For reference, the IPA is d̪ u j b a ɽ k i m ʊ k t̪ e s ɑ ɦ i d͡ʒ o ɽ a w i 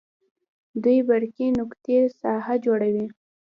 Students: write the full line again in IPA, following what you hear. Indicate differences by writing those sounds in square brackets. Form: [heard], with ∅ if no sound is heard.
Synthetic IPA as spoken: d̪ u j b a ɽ k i [n] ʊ k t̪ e s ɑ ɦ [a] d͡ʒ o ɽ a w i